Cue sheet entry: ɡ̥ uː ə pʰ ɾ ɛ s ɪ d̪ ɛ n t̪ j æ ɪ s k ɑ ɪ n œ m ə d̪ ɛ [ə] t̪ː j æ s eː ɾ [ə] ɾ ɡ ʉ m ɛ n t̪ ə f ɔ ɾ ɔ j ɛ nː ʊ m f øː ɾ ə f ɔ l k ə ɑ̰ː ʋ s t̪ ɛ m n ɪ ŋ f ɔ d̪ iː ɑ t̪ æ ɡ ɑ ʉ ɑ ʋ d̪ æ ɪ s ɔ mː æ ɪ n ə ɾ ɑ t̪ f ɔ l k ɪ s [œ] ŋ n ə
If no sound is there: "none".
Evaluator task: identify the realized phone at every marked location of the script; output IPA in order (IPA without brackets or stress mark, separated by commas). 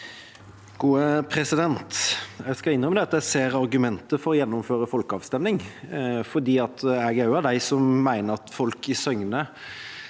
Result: ɑ, ɑ, œ